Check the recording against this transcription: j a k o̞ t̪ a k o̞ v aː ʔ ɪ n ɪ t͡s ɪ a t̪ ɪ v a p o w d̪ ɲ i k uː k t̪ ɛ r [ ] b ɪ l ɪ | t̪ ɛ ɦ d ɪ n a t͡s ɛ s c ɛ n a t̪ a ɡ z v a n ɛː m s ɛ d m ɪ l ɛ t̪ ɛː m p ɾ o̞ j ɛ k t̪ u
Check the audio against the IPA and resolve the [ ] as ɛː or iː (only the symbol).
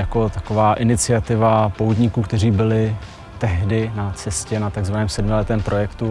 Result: iː